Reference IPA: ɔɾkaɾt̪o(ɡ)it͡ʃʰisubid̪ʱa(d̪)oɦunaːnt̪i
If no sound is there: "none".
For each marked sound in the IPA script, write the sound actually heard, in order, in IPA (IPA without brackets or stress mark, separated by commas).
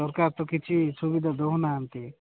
k, d̪